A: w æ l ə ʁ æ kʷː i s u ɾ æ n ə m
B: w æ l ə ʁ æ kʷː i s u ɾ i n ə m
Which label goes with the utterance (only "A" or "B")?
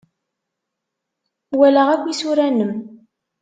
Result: A